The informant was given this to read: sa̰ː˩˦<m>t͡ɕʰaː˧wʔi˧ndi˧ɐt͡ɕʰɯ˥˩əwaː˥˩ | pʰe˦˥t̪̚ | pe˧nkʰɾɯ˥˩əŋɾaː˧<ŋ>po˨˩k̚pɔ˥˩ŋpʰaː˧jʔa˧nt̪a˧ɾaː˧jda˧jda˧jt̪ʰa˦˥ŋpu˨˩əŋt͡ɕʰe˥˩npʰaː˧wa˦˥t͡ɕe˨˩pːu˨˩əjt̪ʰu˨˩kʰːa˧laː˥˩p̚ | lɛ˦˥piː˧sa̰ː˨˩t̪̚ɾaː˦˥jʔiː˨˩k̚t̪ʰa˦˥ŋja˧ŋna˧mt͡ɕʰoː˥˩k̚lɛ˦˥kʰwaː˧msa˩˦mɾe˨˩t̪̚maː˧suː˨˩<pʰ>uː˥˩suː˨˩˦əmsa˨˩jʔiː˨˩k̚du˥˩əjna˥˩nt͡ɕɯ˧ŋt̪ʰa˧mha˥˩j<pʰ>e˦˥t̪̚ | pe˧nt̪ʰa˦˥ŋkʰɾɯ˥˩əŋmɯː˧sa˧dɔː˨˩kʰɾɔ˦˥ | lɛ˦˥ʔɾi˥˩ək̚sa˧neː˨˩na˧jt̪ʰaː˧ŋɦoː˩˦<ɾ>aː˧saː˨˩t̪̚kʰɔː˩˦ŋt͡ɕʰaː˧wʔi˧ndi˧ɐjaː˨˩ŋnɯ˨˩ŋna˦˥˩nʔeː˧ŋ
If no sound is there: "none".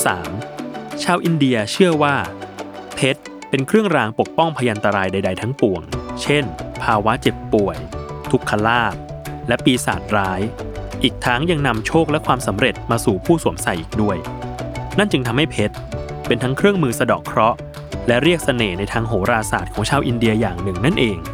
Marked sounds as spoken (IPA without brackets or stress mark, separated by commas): m, ŋ, pʰ, pʰ, ɾ